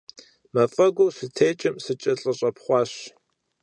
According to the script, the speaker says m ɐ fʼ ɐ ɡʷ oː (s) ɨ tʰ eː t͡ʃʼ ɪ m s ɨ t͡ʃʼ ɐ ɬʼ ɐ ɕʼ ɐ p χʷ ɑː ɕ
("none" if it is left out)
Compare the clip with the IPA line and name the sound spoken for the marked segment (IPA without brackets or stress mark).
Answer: s